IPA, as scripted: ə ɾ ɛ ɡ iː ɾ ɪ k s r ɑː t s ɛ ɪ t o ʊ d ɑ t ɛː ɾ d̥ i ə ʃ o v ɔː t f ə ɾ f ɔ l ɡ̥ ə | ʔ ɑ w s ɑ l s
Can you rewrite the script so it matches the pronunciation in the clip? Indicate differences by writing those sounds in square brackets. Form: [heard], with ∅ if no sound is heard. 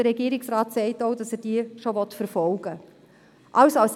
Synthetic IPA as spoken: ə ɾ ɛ ɡ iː ɾ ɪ k s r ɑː t s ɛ ɪ t o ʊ d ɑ [s] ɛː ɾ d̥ i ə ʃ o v [ɔ] t f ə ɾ f ɔ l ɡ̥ ə | ʔ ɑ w s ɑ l s